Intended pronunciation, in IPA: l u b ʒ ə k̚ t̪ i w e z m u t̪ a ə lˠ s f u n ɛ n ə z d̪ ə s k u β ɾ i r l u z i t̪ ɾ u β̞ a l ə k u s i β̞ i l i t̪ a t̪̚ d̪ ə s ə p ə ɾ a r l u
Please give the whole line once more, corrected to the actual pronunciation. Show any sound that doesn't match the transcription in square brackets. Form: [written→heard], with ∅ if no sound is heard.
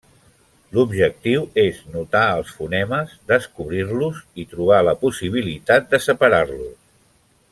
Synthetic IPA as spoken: l u b ʒ ə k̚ t̪ i w e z [m→n] u t̪ a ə lˠ s f u n ɛ [n→m] ə z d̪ ə s k u β ɾ i r l u z i t̪ ɾ u β̞ a l ə [k→p] u s i β̞ i l i t̪ a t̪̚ d̪ ə s ə p ə ɾ a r l u